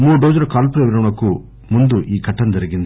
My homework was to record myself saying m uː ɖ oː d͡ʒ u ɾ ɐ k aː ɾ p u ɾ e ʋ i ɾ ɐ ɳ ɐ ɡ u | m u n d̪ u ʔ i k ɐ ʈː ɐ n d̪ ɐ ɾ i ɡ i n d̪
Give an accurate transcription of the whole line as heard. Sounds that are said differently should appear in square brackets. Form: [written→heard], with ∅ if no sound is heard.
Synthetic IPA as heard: m uː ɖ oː d͡ʒ u ɾ ɐ k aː [ɾ→l] p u ɾ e ʋ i ɾ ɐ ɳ ɐ [ɡ→k] u | m u n d̪ u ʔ [i→iː] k ɐ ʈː ɐ n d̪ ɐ ɾ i ɡ i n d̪